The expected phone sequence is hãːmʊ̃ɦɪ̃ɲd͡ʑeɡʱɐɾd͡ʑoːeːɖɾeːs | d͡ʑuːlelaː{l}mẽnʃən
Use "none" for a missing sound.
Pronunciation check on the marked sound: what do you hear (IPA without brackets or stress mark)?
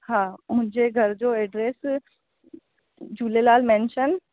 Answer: l